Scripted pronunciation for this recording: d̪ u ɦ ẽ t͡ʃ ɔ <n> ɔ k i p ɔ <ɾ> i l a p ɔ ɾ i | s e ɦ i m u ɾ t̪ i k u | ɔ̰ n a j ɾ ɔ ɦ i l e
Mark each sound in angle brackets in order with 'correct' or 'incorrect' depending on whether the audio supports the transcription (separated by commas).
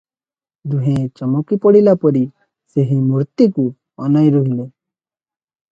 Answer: incorrect, incorrect